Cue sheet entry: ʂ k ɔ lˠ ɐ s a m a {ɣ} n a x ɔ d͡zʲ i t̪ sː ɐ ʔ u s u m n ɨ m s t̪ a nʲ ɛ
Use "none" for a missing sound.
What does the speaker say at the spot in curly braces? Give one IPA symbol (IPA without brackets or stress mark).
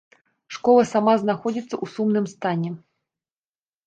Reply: z